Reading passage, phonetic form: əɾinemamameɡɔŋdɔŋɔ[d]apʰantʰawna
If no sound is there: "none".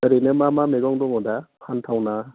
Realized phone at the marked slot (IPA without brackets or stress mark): d